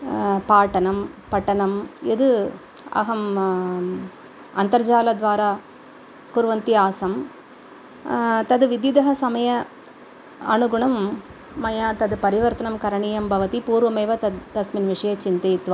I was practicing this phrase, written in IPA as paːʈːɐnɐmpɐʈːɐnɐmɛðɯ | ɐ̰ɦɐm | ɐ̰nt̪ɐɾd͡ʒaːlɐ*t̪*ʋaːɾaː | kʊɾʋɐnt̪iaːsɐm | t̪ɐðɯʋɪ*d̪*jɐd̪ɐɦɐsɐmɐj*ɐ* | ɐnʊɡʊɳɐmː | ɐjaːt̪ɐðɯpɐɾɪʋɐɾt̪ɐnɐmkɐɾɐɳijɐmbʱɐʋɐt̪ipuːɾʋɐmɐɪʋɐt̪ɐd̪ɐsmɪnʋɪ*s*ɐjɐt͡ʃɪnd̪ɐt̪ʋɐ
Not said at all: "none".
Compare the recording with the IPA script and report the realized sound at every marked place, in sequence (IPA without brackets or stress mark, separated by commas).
d̪, d̪, ɐ, ʂ